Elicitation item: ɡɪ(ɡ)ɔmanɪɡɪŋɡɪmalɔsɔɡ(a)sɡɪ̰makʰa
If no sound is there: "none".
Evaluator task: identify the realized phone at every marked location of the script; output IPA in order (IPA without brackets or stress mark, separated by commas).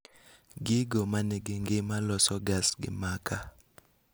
ɡ, a